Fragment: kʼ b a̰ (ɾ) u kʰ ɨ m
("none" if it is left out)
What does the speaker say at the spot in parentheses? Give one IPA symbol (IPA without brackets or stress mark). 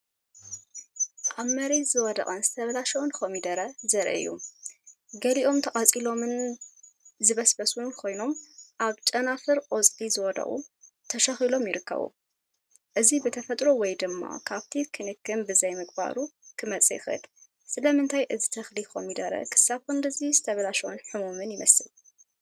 ɾ